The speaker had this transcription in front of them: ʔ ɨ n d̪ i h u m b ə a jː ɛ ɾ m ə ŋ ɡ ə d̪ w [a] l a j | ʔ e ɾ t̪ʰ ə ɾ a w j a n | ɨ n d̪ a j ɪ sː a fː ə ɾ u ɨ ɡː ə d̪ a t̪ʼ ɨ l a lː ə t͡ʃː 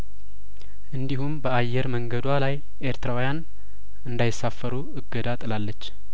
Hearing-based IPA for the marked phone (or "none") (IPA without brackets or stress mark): a